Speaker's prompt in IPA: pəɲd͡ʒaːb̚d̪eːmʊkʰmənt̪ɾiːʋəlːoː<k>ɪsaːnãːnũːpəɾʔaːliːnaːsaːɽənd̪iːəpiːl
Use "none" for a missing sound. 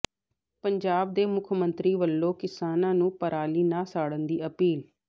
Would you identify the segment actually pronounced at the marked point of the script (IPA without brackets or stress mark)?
k